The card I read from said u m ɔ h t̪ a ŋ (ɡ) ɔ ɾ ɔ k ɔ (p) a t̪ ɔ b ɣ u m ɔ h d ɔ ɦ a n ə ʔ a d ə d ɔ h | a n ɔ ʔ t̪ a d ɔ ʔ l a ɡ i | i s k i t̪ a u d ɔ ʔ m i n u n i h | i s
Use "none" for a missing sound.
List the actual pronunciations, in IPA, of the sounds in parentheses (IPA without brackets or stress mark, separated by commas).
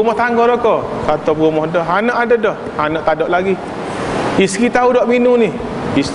ɡ, k